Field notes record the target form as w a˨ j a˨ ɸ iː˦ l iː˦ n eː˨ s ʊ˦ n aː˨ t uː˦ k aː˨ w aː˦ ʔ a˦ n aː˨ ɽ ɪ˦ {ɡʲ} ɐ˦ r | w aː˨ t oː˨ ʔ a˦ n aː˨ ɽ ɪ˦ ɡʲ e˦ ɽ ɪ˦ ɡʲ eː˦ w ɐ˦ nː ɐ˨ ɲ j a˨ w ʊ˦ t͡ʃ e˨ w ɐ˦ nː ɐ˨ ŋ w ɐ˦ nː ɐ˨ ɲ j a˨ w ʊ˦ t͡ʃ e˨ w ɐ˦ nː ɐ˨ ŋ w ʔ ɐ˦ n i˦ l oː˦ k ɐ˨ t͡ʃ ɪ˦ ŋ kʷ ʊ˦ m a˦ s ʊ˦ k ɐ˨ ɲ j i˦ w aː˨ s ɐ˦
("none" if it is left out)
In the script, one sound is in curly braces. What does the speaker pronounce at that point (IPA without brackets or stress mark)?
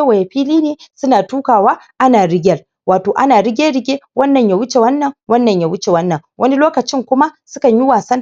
ɡʲ